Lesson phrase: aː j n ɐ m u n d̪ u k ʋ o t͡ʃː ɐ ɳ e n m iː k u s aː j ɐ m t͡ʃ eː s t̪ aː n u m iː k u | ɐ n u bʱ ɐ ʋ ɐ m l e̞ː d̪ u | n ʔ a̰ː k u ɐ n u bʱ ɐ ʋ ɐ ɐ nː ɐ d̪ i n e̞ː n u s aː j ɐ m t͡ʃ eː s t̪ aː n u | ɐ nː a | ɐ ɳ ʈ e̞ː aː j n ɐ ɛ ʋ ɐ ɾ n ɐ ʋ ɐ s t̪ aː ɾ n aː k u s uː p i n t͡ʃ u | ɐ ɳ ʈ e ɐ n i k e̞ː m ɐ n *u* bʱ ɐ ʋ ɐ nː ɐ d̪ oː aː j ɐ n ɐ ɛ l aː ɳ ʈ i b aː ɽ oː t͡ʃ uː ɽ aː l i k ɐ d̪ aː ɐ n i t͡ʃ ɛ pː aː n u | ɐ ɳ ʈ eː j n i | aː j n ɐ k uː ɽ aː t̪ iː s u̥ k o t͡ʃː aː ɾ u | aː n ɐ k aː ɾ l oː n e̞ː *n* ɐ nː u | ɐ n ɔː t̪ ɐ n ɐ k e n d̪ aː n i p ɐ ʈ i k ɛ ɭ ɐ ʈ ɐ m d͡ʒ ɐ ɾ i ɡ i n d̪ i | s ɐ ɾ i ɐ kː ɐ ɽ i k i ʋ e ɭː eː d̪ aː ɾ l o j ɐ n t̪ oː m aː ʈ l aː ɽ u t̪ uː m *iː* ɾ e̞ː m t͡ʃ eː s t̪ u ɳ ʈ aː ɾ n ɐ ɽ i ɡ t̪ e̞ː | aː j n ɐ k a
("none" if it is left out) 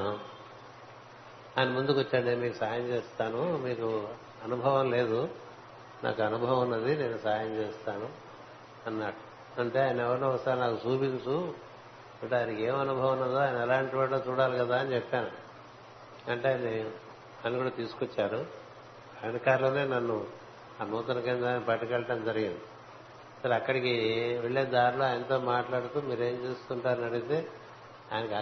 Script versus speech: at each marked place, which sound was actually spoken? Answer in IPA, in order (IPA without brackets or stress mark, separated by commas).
u, n, iː